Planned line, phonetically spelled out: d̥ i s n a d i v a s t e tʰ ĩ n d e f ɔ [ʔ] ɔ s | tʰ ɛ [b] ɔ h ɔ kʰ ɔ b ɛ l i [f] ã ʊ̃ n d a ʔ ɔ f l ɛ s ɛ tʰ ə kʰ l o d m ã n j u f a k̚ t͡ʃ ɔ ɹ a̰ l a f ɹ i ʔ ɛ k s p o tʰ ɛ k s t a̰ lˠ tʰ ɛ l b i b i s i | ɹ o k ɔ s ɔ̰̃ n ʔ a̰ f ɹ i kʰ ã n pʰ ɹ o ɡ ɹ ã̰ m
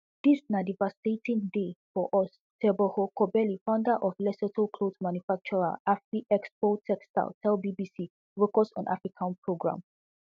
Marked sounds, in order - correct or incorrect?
correct, correct, correct

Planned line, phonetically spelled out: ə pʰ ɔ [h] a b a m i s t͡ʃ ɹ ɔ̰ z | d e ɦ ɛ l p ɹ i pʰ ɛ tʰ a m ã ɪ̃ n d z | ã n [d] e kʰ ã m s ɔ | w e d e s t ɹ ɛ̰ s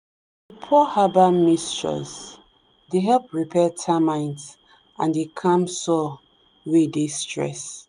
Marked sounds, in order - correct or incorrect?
correct, correct

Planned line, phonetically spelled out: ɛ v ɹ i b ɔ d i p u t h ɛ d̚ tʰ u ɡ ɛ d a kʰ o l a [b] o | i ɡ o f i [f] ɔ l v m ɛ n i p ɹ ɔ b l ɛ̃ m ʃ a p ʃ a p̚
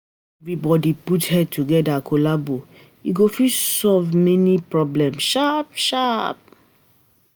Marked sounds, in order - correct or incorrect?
correct, incorrect: s

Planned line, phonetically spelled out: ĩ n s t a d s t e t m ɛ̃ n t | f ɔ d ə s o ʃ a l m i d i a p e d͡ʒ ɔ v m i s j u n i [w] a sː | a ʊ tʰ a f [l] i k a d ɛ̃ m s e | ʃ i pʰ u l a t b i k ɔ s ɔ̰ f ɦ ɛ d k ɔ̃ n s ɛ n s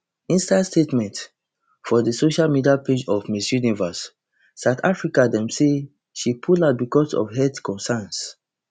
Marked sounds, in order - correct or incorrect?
incorrect: v, incorrect: ɹ

